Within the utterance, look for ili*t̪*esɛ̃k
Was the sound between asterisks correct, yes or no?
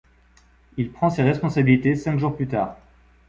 yes